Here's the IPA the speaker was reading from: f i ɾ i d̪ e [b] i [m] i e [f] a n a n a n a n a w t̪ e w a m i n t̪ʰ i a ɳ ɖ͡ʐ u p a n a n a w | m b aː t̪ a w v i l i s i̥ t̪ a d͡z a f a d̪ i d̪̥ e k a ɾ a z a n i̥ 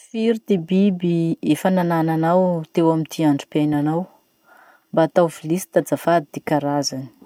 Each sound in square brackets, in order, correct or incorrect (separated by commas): correct, incorrect, correct